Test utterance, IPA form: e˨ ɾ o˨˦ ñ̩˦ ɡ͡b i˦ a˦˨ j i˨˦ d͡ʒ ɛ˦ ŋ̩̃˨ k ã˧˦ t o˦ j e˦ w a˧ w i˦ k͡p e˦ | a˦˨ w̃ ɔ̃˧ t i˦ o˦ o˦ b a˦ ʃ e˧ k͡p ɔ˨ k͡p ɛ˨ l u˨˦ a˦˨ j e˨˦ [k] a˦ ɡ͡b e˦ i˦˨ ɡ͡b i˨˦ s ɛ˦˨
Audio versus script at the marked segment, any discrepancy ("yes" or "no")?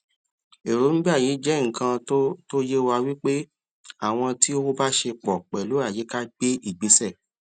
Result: no